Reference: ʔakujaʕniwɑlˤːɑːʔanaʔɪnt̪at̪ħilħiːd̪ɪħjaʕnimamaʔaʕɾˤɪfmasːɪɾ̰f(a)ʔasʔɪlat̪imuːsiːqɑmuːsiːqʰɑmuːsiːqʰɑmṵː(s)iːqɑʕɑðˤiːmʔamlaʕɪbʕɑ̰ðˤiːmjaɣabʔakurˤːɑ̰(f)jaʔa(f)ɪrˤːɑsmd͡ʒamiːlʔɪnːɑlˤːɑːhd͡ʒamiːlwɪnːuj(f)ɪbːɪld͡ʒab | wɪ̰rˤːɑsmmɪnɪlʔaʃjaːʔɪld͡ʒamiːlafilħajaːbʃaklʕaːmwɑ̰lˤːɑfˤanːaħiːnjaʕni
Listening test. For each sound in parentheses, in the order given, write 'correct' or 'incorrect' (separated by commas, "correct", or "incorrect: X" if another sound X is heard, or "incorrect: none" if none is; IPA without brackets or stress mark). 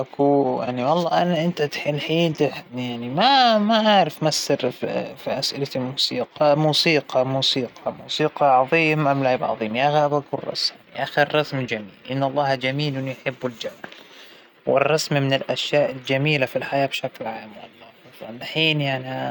incorrect: i, correct, incorrect: s, incorrect: x, incorrect: ħ